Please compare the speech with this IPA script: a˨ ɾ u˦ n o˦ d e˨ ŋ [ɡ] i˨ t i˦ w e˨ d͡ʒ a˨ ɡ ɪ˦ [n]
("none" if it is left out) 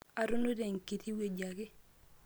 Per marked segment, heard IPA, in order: k, none

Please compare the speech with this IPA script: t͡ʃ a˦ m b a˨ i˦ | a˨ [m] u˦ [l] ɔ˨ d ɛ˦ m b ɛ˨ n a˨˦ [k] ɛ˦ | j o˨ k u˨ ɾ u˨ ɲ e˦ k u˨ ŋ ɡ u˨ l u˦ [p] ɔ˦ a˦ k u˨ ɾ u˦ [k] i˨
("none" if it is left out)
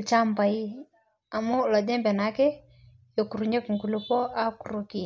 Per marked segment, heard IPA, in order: m, l, k, p, k

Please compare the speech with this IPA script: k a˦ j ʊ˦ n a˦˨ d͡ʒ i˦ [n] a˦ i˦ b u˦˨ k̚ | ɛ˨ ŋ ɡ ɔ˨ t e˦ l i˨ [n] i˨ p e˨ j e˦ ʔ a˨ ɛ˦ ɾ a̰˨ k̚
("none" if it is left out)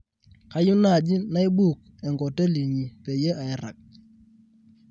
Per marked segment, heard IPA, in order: n, ɲ

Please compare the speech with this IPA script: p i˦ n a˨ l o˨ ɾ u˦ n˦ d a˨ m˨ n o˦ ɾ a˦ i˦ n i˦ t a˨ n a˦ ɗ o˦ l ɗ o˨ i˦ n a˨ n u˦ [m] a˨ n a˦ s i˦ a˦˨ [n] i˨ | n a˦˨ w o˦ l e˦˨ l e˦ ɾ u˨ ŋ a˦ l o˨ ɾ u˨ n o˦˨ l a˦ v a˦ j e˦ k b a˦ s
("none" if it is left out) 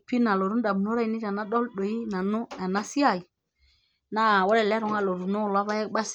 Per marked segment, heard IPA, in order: none, none

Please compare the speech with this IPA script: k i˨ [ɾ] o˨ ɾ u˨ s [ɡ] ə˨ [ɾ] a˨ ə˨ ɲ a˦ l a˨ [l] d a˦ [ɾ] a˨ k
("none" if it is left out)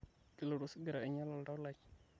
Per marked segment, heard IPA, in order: l, ɡ, ɾ, l, l

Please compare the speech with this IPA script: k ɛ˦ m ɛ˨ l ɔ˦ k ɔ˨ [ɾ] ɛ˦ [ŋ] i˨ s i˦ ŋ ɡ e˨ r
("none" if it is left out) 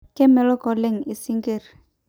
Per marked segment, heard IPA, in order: l, ŋ

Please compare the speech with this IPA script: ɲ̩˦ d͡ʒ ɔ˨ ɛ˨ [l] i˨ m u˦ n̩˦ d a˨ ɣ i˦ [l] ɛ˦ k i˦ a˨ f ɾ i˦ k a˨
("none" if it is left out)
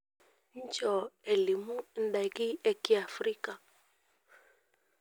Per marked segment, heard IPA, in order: l, none

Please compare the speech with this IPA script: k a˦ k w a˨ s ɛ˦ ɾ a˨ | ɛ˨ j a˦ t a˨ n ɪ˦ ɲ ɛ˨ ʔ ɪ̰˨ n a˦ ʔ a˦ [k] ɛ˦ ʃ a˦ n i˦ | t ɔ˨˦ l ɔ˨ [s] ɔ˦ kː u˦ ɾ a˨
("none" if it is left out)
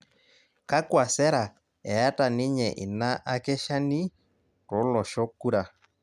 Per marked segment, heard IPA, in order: k, ʃ

